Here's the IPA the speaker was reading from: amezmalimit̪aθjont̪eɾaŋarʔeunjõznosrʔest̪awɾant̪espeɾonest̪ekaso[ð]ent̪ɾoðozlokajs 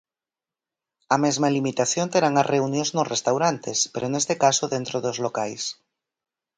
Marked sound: correct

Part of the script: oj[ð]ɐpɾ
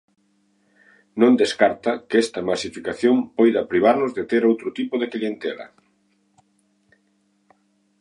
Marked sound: correct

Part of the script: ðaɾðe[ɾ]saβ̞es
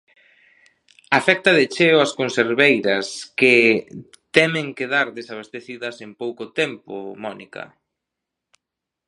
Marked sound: incorrect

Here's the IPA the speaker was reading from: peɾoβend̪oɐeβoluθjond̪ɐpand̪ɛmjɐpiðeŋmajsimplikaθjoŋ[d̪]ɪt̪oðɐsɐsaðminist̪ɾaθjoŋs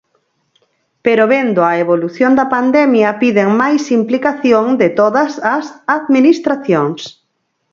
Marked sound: correct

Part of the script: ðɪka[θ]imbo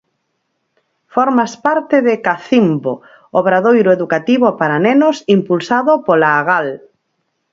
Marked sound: correct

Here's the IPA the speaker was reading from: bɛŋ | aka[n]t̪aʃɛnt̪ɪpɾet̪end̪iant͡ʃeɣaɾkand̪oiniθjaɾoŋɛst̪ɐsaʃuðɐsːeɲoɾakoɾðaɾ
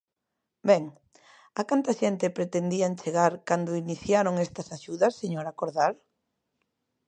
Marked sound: correct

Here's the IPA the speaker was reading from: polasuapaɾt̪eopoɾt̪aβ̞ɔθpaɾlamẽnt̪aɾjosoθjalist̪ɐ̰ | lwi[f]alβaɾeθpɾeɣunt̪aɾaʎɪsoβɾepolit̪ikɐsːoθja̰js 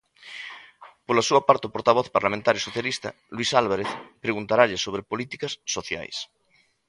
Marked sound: incorrect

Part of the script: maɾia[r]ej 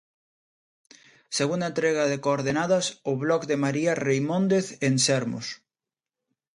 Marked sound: correct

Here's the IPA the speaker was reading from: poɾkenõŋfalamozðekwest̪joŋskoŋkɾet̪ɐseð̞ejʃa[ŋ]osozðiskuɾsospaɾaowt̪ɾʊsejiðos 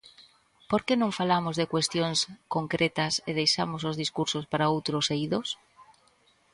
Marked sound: incorrect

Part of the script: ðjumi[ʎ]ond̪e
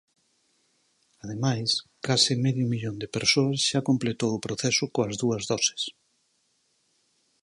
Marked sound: correct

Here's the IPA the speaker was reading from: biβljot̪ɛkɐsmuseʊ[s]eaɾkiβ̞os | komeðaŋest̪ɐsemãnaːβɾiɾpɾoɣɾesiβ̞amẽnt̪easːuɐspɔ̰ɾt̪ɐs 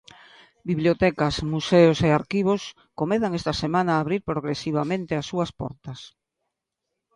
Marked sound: correct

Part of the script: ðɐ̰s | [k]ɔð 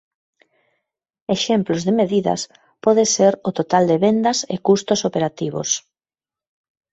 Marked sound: incorrect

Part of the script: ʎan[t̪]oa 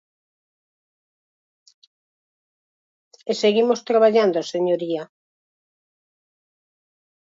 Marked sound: incorrect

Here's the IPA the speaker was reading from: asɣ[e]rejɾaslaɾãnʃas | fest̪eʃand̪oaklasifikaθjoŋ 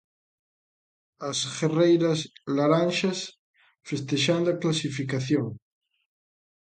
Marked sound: correct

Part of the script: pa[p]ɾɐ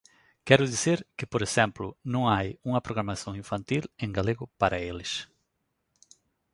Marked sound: incorrect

